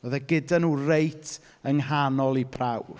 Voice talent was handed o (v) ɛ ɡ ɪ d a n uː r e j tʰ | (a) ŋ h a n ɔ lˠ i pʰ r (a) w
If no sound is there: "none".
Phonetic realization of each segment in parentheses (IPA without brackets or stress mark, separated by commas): ð, ə, a